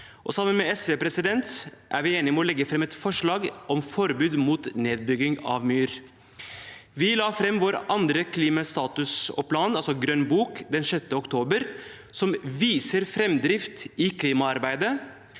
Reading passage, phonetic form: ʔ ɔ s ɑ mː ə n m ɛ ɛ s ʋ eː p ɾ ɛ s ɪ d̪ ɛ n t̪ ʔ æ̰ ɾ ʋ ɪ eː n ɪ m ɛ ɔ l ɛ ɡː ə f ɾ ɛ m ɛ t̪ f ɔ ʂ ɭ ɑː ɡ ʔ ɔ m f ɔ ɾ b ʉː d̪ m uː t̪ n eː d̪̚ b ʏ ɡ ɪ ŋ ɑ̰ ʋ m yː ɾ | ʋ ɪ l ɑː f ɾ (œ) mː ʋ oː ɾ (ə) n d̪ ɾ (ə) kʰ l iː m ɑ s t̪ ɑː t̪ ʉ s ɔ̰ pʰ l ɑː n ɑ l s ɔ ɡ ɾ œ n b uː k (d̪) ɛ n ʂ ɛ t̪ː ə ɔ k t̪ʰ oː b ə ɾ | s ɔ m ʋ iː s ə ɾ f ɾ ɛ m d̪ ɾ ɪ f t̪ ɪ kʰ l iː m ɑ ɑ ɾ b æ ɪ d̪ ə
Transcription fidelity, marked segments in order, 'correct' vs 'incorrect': incorrect: ɛ, incorrect: ɑ, correct, correct

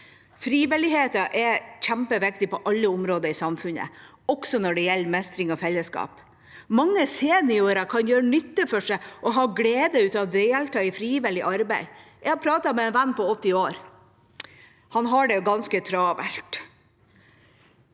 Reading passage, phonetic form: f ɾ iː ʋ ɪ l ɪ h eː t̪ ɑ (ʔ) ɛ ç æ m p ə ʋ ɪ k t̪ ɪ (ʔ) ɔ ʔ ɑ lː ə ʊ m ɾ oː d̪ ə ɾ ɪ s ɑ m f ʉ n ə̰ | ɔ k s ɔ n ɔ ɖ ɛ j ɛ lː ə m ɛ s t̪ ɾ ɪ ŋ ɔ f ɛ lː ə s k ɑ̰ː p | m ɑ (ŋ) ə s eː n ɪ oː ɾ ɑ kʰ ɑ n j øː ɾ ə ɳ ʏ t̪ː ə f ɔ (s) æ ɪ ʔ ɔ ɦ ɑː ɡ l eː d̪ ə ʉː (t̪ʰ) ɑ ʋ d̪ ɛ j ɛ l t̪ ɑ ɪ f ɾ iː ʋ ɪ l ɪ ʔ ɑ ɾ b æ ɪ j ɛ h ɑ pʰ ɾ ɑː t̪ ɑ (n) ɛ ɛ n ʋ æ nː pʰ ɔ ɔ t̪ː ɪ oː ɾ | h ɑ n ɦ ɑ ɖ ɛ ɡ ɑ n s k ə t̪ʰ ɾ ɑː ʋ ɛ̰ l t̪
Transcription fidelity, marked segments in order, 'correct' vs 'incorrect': correct, incorrect: p, incorrect: ŋː, incorrect: ʂ, incorrect: t̪, incorrect: m

